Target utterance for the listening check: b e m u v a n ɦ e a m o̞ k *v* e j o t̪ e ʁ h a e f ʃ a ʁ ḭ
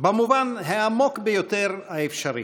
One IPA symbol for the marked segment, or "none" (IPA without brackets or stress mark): b